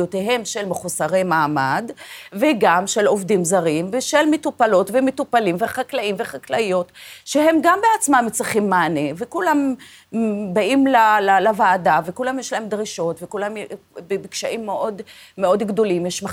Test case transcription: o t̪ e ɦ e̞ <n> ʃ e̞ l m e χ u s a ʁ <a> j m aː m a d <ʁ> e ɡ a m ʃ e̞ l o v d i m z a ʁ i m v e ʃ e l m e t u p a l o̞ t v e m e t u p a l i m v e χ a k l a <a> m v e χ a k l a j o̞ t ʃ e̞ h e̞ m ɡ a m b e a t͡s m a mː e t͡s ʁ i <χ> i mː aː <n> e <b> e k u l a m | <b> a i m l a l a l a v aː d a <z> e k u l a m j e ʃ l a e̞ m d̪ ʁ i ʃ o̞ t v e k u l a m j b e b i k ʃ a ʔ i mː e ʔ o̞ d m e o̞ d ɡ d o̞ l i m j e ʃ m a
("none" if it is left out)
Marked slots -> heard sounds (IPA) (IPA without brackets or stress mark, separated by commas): m, e, v, i, χ, n, v, b, v